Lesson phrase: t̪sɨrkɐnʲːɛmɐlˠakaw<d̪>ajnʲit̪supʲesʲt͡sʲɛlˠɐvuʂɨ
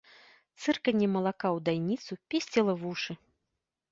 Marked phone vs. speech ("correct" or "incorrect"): correct